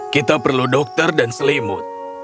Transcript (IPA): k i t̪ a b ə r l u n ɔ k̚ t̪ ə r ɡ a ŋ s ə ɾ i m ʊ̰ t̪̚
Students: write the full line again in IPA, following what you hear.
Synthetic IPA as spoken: k i t̪ a p ə r l u d ɔ k̚ t̪ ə r d a n s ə l i m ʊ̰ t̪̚